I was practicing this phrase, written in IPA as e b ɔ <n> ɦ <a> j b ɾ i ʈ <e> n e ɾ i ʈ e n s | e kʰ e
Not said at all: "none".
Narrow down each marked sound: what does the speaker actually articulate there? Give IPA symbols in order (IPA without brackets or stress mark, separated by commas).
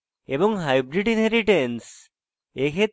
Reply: ŋ, a, i